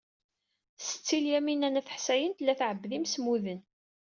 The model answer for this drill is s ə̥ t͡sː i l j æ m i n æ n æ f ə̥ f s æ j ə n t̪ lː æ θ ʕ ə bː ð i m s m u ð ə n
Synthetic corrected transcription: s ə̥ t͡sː i l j æ m i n æ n æ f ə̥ ħ s æ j ə n t̪ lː æ θ ʕ ə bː ð i m s m u ð ə n